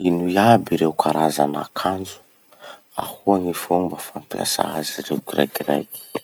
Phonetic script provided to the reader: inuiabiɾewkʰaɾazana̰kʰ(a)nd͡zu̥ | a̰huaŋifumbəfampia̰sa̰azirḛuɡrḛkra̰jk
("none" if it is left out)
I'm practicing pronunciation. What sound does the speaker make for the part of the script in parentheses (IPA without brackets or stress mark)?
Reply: a